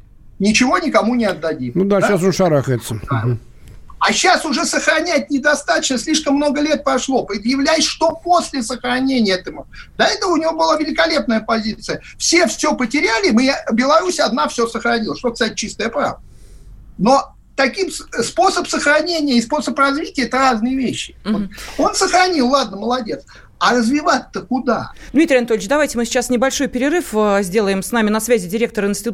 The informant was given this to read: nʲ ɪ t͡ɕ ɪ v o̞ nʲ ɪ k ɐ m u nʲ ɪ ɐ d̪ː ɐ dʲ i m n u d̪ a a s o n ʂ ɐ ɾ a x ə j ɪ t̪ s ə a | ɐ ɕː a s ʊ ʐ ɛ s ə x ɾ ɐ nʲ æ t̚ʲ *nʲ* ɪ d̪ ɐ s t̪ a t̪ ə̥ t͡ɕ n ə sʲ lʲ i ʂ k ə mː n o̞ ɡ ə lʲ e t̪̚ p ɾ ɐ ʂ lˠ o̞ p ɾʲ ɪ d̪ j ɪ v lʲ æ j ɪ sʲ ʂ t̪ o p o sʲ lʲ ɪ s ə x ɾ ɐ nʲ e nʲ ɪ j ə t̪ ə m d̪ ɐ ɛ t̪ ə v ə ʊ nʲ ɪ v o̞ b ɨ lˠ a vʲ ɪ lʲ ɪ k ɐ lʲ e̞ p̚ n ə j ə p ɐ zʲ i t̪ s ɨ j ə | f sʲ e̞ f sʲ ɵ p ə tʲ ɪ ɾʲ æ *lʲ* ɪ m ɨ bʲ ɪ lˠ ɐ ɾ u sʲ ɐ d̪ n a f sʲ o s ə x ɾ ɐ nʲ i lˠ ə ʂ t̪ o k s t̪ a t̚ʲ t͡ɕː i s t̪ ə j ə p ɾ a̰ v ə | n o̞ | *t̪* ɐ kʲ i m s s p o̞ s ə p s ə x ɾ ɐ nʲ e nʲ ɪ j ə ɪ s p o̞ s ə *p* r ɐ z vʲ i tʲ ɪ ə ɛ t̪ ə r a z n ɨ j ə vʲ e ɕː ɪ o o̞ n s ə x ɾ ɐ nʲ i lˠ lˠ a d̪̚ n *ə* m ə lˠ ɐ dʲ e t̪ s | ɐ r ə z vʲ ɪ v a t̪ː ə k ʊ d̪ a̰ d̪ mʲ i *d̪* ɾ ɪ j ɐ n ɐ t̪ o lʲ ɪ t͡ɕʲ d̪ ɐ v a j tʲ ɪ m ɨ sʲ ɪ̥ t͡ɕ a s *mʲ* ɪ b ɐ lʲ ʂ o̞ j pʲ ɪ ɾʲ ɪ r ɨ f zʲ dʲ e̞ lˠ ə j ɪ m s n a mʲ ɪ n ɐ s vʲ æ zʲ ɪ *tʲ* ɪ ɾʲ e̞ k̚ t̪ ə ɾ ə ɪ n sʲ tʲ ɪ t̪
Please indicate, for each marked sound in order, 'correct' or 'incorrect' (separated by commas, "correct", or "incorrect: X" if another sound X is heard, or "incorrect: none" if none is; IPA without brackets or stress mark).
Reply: correct, correct, correct, correct, correct, incorrect: t̪, incorrect: nʲ, incorrect: dʲ